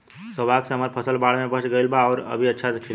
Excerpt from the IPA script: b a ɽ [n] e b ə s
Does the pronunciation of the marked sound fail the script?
yes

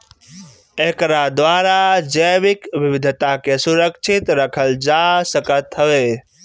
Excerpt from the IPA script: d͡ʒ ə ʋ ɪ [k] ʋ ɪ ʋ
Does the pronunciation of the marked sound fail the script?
no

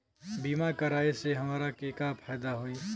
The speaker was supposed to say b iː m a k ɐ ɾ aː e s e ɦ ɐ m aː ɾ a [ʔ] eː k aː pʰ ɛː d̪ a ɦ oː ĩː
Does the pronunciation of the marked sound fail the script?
yes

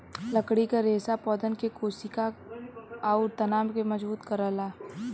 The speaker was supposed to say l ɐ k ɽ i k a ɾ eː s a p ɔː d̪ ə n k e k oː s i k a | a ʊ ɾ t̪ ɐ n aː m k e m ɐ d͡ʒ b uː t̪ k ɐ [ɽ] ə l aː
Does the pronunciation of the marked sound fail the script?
yes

